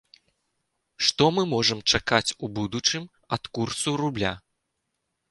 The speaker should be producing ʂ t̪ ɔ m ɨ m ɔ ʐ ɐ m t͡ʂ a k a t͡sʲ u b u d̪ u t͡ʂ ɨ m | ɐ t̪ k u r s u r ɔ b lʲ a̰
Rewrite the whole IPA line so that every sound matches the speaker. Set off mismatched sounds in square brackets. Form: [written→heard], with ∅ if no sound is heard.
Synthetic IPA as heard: ʂ t̪ ɔ m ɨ m ɔ ʐ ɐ m t͡ʂ a k a t͡sʲ u b u d̪ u t͡ʂ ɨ m | ɐ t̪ k u r s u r [ɔ→u] b lʲ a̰